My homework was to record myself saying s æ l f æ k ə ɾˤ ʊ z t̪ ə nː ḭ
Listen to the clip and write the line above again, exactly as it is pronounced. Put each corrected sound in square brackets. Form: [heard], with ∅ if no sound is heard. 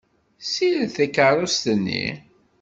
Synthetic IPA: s [i] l [θ] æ k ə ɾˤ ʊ [s] t̪ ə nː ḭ